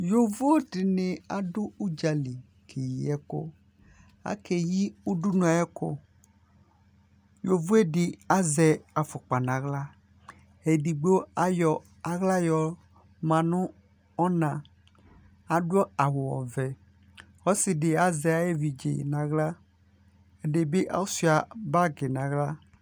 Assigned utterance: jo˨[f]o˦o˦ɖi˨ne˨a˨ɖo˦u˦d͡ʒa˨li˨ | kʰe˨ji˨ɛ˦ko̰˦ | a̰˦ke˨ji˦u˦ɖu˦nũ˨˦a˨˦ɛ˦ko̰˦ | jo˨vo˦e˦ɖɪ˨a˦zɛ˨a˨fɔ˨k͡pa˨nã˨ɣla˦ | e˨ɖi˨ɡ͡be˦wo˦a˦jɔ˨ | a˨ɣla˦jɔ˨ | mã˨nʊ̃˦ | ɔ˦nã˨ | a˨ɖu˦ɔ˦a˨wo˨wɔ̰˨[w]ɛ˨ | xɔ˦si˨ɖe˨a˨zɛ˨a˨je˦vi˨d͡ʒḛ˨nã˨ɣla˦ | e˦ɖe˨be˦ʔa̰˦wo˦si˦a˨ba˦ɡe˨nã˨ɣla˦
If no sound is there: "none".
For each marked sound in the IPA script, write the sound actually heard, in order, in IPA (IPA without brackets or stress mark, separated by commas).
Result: v, v